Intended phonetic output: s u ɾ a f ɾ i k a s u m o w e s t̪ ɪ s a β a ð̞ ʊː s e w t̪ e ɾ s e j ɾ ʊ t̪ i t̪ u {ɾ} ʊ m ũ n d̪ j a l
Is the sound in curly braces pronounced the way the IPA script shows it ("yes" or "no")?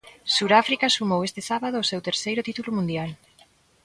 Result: no